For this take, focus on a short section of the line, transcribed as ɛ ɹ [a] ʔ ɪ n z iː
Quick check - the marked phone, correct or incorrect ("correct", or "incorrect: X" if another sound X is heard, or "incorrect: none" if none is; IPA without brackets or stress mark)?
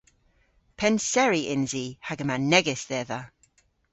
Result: incorrect: i